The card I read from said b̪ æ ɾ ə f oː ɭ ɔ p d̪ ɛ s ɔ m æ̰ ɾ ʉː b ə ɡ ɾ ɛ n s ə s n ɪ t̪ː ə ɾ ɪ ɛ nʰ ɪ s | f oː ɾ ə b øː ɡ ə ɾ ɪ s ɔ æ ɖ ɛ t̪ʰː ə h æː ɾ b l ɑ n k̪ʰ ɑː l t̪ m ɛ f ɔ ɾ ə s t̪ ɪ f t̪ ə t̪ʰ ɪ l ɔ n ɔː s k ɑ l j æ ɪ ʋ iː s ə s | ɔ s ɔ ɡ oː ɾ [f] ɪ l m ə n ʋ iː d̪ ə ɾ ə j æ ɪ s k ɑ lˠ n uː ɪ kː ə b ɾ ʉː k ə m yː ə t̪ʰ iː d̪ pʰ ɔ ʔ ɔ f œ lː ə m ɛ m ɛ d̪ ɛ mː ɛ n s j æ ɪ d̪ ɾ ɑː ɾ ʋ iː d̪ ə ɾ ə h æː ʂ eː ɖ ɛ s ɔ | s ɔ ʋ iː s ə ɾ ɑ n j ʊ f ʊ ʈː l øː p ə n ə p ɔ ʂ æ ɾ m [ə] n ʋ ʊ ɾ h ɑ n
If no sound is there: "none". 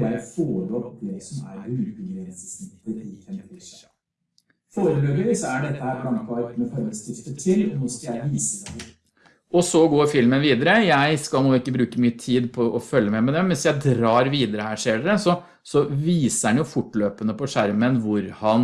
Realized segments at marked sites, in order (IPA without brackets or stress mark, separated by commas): f, ə